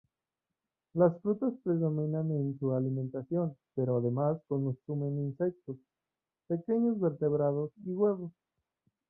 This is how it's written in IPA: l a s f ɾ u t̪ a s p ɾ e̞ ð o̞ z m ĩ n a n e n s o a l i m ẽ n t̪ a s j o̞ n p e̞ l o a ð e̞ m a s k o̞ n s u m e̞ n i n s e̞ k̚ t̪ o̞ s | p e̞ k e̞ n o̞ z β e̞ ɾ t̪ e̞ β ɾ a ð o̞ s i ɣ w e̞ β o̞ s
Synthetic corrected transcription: l a s f ɾ u t̪ a s p ɾ e̞ ð o̞ m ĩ n a n e n s u a l i m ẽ n t̪ a s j o̞ n p e̞ ɾ o a ð e̞ m a s k o̞ n s u m e̞ n i n s e̞ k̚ t̪ o̞ s | p e̞ k e̞ ɲ o̞ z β e̞ ɾ t̪ e̞ β ɾ a ð o̞ s i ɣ w e̞ β o̞ s